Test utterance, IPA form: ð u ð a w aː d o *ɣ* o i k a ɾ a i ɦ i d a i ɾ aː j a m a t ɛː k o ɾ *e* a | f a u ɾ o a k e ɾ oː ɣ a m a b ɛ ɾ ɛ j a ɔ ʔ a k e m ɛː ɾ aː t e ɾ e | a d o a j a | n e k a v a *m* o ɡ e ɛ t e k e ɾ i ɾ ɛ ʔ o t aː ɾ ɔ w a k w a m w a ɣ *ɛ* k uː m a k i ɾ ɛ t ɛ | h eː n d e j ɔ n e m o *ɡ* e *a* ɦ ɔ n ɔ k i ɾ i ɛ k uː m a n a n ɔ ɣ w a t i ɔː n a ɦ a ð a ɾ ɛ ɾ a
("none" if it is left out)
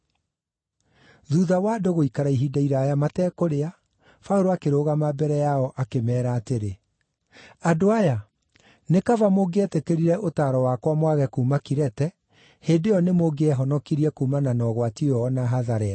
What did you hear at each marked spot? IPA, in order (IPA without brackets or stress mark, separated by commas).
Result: ɣ, e, m, ɛ, ɡ, ɛ